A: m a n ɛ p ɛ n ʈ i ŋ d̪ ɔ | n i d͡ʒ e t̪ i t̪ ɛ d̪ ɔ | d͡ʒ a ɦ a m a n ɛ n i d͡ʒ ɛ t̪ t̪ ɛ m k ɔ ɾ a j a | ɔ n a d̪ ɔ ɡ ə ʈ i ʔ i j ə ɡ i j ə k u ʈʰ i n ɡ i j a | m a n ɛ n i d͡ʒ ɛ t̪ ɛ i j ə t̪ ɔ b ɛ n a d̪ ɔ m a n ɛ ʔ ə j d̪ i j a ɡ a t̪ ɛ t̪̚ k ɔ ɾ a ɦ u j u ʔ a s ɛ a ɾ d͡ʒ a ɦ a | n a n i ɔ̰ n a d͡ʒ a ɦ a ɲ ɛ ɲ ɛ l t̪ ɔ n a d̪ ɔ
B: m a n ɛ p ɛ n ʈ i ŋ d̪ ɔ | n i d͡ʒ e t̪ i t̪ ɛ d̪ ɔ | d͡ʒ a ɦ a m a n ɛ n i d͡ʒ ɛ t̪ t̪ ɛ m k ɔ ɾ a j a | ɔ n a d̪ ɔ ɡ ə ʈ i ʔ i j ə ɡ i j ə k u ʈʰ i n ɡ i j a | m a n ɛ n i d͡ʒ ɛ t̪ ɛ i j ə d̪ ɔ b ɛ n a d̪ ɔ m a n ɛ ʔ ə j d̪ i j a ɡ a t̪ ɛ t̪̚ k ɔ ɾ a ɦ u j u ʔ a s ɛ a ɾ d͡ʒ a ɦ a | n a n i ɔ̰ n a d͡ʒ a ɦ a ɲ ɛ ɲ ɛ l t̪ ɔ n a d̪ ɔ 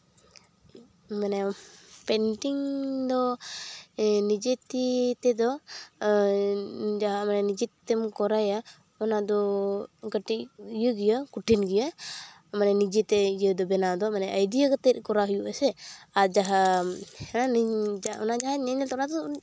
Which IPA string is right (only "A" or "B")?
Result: B